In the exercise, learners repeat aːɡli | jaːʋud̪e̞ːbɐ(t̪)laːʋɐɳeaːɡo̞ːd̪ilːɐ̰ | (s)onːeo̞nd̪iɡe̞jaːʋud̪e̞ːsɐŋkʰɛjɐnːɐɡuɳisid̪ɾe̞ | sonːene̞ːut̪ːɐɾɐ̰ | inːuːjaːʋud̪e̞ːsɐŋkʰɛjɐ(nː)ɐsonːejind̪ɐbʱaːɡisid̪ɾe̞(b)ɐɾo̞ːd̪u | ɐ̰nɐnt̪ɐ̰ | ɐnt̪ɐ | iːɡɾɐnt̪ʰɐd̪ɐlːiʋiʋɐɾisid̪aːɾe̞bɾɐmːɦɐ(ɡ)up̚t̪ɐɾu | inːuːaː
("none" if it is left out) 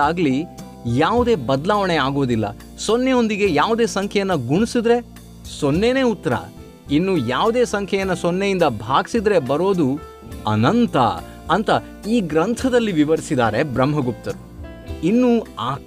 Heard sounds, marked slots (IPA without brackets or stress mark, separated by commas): d̪, s, nː, b, ɡ